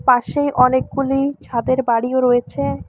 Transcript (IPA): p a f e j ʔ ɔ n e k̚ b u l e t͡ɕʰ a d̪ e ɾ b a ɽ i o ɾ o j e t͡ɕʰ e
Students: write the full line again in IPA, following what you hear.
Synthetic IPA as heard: p a ʃ e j ʔ ɔ n e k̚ ɡ u l i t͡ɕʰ a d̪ e ɾ b a ɽ i o ɾ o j e t͡ɕʰ e